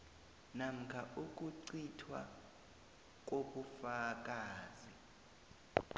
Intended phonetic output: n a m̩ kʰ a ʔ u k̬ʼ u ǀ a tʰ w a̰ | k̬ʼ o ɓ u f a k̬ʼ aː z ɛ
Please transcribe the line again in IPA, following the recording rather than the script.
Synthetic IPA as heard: n a m̩ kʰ a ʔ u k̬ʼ u ǀ i tʰ w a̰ | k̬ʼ o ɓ u f a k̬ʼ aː z i